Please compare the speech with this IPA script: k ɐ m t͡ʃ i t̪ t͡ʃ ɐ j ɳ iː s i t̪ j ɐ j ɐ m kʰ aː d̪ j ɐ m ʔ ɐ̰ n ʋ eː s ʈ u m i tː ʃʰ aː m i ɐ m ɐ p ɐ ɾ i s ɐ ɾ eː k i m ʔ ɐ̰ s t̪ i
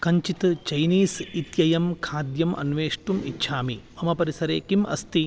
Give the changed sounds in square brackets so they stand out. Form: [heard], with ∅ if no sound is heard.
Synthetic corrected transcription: k ɐ [ɲ] t͡ʃ i t̪ t͡ʃ ɐ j [n] iː s i t̪ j ɐ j ɐ m kʰ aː d̪ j ɐ m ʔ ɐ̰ n ʋ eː [ʂ] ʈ u m i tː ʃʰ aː m i ɐ m ɐ p ɐ ɾ i s ɐ ɾ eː k i m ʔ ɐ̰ s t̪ i

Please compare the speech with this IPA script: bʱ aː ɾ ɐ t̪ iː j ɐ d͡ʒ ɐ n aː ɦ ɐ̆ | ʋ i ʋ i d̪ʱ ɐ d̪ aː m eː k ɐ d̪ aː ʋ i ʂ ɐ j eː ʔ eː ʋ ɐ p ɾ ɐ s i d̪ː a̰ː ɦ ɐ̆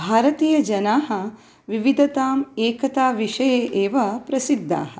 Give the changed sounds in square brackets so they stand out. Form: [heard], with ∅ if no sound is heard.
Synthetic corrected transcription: bʱ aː ɾ ɐ t̪ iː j ɐ d͡ʒ ɐ n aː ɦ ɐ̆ | ʋ i ʋ i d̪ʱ ɐ [t̪] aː m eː k ɐ [t̪] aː ʋ i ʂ ɐ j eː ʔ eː ʋ ɐ p ɾ ɐ s i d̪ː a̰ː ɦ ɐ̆

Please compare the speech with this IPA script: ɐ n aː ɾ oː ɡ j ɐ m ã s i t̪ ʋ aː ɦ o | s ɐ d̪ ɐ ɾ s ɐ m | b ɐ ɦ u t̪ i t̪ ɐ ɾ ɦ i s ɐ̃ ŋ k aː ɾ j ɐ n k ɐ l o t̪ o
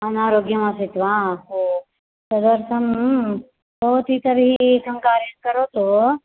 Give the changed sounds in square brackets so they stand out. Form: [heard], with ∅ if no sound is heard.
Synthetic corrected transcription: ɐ n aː ɾ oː ɡ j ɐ m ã s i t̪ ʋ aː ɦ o | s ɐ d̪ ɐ ɾ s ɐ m | b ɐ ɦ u t̪ i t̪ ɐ ɾ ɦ i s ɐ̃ ŋ k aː ɾ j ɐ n k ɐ [ɾ] o t̪ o

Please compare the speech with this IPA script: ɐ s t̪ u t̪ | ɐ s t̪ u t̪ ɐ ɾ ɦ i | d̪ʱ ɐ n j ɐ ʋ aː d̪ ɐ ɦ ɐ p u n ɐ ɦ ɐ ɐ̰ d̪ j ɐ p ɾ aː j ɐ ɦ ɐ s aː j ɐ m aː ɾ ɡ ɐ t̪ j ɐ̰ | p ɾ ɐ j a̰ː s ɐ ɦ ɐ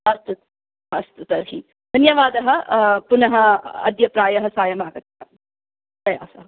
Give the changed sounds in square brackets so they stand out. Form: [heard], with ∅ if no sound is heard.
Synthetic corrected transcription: ɐ s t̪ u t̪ | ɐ s t̪ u t̪ ɐ ɾ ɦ i | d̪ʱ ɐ n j ɐ ʋ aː d̪ ɐ ɦ ɐ p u n ɐ ɦ ɐ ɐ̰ d̪ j ɐ p ɾ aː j ɐ ɦ ɐ s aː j ɐ m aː [∅] ɡ ɐ t̪ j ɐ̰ | p ɾ ɐ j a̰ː s ɐ ɦ ɐ

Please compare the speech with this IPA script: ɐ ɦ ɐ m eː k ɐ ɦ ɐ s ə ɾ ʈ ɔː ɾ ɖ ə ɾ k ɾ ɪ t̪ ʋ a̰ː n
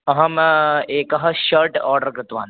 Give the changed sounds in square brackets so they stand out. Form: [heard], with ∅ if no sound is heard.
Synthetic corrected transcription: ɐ ɦ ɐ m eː k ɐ ɦ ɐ [ʃ] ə ɾ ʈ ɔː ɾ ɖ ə ɾ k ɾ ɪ t̪ ʋ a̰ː n

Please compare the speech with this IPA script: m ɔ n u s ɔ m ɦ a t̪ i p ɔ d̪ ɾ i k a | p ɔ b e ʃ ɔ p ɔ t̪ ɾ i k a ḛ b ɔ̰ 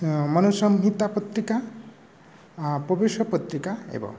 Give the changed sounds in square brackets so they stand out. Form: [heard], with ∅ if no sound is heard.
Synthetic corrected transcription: m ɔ n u s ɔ m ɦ [i] t̪ [a] p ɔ [t̪] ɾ i k a | p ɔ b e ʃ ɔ p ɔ t̪ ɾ i k a ḛ b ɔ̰

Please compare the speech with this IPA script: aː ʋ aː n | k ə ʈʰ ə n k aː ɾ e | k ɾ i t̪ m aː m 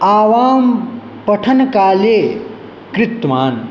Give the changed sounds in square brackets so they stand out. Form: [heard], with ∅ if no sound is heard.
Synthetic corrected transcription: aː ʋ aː [m] | [p] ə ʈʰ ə n k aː [l] e | k ɾ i t̪ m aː [n]

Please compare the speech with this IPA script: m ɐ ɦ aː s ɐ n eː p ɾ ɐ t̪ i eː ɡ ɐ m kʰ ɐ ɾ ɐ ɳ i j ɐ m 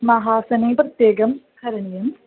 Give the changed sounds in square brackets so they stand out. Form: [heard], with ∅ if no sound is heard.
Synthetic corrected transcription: m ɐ ɦ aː s ɐ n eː p ɾ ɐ t̪ [j] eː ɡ ɐ m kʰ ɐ ɾ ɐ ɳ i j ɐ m

